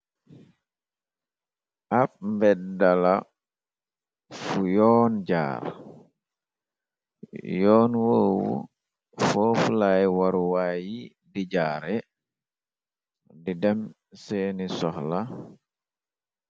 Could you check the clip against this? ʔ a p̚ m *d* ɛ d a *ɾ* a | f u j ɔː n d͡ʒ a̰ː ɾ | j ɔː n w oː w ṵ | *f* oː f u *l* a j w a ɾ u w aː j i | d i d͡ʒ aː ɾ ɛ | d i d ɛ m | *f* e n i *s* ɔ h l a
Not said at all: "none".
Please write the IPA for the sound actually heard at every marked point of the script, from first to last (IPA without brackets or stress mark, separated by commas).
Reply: b, l, f, l, s, s